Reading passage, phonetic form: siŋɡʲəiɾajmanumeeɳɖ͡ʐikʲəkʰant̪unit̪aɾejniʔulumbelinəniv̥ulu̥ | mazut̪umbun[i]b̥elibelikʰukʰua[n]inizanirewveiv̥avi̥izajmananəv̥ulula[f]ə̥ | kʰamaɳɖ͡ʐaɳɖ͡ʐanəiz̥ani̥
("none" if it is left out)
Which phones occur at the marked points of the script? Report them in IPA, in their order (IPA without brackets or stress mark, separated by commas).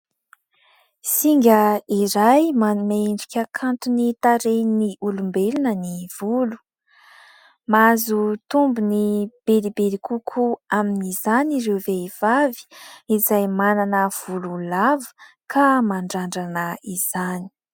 i, m, v